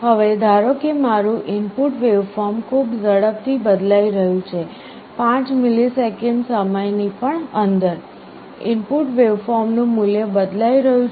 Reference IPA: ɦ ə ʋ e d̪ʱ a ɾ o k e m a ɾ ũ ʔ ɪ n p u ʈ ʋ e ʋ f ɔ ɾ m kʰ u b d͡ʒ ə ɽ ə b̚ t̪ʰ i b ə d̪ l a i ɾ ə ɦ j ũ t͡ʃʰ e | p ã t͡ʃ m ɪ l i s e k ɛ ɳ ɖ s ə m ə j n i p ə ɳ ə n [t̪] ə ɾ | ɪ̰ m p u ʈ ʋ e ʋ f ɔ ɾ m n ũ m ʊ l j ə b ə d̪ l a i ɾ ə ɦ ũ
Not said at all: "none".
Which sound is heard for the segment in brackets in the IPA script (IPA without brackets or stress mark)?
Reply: d̪